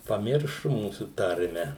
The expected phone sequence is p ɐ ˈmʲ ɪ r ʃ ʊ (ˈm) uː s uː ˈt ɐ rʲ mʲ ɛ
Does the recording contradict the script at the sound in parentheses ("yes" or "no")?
no